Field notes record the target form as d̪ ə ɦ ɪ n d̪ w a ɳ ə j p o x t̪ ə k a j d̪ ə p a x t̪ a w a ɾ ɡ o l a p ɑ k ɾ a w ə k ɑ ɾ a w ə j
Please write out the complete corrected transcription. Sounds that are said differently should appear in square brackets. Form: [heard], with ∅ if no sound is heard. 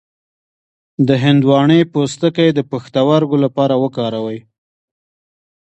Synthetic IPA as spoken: d̪ ə ɦ ɪ n d̪ w [ɑ] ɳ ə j p o [s] t̪ ə k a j d̪ ə p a x t̪ a w a ɾ ɡ o l a p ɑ [∅] ɾ a w ə k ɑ ɾ a w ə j